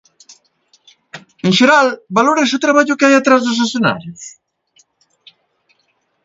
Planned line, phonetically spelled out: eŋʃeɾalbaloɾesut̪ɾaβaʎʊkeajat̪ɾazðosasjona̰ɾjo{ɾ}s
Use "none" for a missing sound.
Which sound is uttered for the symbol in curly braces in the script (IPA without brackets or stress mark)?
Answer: none